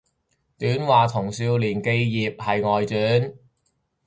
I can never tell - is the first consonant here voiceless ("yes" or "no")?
yes